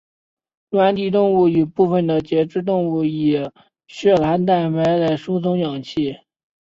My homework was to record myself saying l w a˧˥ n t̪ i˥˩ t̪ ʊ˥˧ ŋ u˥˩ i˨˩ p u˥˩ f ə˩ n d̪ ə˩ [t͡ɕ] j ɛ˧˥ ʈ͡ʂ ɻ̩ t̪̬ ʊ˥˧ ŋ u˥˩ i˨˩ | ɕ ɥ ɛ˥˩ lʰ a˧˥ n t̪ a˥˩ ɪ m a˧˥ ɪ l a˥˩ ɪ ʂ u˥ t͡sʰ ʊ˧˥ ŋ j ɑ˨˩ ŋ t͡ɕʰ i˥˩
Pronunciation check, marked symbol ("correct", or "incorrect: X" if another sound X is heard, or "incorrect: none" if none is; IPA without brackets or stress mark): correct